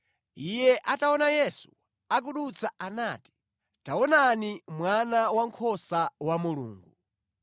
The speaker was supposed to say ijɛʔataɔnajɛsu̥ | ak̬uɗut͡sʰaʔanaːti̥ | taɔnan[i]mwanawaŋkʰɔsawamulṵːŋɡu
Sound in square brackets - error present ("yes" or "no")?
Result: no